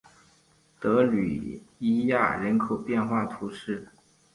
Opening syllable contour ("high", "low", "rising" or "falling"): rising